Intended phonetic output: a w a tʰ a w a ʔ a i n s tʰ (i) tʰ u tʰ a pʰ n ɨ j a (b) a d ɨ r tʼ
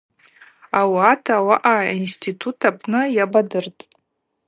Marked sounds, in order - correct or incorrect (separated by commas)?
correct, correct